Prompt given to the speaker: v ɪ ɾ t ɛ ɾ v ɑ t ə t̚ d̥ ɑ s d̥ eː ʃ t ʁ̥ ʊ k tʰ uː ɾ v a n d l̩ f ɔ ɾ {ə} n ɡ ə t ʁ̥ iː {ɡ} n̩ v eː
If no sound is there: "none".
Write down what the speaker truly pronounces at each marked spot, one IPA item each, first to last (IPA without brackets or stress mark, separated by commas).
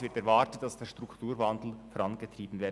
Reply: ɑ, b